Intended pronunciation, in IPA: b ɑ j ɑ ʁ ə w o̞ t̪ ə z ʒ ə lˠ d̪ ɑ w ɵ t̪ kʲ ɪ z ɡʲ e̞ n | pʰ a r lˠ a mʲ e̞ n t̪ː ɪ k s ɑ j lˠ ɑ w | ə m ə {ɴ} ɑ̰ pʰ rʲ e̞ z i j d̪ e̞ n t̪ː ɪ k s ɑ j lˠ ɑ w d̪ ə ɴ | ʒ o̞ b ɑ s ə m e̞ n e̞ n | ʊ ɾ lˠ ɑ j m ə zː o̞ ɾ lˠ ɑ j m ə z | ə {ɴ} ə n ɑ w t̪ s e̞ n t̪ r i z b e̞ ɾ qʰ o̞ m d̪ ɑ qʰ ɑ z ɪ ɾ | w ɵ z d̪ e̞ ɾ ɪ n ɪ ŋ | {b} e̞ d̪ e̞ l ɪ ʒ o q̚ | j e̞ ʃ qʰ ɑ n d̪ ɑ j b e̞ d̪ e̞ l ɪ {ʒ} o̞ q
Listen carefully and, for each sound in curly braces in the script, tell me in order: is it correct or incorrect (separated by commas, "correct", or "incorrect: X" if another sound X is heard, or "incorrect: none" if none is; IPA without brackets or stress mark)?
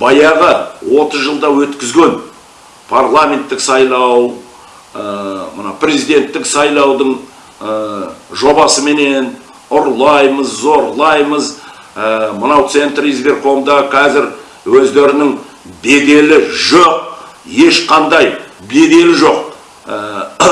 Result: incorrect: n, incorrect: m, correct, correct